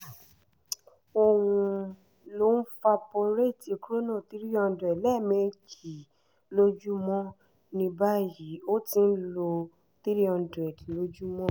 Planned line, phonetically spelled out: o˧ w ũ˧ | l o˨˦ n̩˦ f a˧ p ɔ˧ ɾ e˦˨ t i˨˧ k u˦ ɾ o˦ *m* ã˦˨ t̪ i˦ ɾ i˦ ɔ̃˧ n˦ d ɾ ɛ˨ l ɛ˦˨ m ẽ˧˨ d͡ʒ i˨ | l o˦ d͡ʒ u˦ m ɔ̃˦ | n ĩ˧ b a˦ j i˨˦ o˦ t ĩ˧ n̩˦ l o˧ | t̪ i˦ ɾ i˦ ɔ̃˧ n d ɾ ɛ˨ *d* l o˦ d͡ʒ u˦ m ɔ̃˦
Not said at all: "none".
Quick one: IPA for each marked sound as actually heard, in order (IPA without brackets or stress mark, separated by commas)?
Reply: n, d